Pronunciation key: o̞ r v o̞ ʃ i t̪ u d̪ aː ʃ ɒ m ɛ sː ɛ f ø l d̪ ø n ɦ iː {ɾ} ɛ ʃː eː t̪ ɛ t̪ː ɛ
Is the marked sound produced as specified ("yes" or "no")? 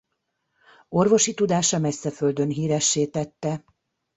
yes